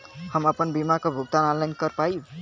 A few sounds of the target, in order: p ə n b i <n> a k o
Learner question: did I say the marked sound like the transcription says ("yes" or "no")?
no